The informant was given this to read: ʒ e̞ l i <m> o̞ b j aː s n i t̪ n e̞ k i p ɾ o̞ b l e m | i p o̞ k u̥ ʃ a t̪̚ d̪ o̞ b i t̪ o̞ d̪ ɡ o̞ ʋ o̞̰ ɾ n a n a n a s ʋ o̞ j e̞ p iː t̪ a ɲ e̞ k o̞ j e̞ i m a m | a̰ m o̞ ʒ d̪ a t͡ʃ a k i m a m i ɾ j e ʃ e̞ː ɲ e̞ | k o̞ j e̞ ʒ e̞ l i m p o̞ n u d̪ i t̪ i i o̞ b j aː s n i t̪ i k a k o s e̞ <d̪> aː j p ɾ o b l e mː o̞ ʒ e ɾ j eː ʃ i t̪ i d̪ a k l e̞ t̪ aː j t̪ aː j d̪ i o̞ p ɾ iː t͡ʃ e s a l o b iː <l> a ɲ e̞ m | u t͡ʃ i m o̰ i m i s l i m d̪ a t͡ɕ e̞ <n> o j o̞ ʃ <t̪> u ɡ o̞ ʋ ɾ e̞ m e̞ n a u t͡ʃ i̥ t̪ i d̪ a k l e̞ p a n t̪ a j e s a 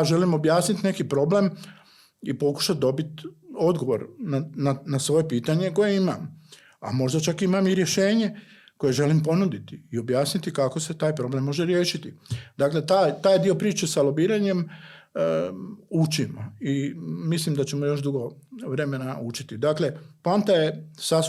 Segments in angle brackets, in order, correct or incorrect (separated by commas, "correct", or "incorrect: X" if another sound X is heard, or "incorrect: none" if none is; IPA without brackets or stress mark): correct, incorrect: t̪, incorrect: ɾ, incorrect: m, incorrect: d̪